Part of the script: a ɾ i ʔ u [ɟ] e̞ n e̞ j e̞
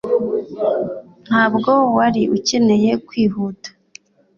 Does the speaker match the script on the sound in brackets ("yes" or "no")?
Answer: no